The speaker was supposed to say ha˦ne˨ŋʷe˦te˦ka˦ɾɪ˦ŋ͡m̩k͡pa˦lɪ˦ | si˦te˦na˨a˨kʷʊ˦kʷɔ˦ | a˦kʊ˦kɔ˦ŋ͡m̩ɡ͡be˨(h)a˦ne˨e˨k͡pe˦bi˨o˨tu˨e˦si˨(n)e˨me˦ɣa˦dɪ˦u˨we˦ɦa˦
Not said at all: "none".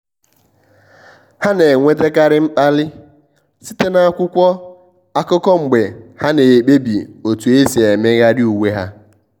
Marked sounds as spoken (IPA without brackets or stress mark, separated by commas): h, none